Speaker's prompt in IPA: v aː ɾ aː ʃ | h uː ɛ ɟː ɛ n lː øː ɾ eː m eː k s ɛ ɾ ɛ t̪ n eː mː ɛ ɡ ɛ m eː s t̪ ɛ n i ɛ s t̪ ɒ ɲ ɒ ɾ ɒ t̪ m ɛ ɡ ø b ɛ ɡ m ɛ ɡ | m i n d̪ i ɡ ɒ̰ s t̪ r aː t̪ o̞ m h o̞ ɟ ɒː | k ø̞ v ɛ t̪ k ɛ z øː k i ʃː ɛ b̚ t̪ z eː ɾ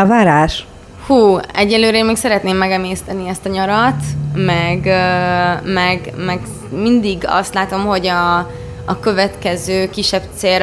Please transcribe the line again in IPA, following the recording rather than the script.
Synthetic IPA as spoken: v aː ɾ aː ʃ | h uː ɛ ɟː ɛ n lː øː ɾ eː m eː k s ɛ ɾ ɛ t̪ n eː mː ɛ ɡ ɛ m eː s t̪ ɛ n i ɛ s t̪ ɒ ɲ ɒ ɾ ɒ t̪ m ɛ ɡ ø m ɛ ɡ m ɛ ɡ | m i n d̪ i ɡ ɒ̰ s t̪ l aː t̪ o̞ m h o̞ ɟ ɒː | k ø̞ v ɛ t̪ k ɛ z øː k i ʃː ɛ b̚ t̪ s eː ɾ